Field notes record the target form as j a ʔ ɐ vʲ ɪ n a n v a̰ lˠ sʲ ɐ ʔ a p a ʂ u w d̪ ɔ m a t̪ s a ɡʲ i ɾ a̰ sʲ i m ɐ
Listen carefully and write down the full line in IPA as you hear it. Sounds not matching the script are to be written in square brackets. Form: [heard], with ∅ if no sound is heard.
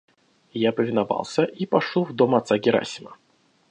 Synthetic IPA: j a [p] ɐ vʲ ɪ n a [∅] v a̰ lˠ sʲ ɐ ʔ [i] p a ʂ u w d̪ ɔ m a t̪ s a ɡʲ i ɾ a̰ sʲ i m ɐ